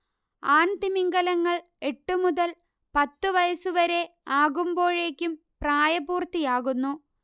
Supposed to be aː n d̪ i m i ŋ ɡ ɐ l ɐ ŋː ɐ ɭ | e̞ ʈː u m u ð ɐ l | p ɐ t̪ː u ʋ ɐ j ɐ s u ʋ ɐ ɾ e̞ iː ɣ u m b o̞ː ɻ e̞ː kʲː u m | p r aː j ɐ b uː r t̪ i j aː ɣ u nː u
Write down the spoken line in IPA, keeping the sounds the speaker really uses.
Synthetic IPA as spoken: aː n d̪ i m i ŋ ɡ ɐ l ɐ ŋː ɐ ɭ | e̞ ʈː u m u ð ɐ l | p ɐ t̪ː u ʋ ɐ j ɐ s u ʋ ɐ ɾ e̞ aː ɣ u m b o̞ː ɻ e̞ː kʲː u m | p r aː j ɐ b uː r t̪ i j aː ɣ u nː u